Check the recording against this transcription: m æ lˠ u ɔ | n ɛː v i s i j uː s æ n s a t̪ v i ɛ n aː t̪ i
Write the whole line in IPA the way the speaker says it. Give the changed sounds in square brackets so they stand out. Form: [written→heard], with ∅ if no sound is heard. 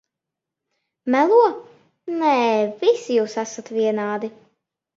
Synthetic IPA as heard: m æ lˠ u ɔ | n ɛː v i s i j uː s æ [n→∅] s a t̪ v i ɛ n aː [t̪→d̪] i